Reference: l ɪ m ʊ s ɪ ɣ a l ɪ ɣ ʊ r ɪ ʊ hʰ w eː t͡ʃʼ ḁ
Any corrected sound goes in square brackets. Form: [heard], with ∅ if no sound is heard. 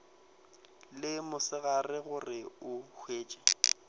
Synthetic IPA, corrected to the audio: l ɪ m ʊ s ɪ ɣ a [r] ɪ ɣ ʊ r ɪ ʊ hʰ w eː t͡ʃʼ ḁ